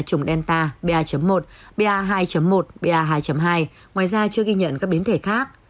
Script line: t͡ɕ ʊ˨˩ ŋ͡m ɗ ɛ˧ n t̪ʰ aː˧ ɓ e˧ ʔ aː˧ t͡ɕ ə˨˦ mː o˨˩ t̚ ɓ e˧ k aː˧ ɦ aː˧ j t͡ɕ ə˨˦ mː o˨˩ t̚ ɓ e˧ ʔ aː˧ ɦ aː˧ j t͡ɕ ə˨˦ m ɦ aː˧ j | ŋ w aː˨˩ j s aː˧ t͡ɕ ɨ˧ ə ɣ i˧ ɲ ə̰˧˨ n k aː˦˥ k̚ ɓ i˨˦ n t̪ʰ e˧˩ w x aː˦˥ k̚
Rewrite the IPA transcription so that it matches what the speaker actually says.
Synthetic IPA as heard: t͡ɕ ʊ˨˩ ŋ͡m ɗ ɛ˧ n t̪ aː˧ ɓ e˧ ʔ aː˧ t͡ɕ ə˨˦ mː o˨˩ t̚ ɓ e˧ ʔ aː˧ ɦ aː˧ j t͡ɕ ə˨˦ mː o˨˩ t̚ ɓ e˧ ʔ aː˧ ɦ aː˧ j t͡ɕ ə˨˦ m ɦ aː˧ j | ŋ w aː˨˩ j z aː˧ t͡ɕ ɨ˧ ə ɣ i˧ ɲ ə̰˧˨ n k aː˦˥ k̚ ɓ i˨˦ n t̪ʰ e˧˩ x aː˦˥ k̚